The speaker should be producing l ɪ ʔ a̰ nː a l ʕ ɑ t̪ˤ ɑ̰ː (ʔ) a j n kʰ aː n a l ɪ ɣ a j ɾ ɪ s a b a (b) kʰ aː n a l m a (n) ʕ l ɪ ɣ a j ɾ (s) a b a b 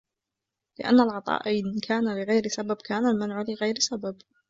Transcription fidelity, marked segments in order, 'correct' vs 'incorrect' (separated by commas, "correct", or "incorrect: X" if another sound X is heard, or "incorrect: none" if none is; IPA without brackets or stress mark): correct, correct, correct, correct